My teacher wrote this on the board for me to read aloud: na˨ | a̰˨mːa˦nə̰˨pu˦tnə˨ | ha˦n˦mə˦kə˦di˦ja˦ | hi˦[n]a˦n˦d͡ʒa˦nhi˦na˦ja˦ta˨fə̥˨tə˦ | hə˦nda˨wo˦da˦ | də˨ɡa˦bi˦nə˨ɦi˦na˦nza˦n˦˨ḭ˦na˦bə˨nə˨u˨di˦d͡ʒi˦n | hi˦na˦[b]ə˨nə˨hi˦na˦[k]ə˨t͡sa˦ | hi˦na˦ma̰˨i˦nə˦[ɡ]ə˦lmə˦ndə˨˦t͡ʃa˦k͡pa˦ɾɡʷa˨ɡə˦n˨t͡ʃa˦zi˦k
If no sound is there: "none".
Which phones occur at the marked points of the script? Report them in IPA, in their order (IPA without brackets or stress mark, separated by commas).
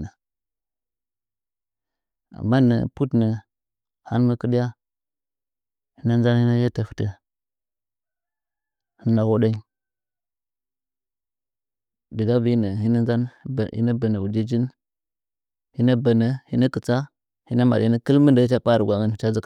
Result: n, b, k, k